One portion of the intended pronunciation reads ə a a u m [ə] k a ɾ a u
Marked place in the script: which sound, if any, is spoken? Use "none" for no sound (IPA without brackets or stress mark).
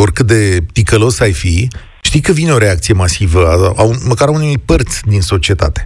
ə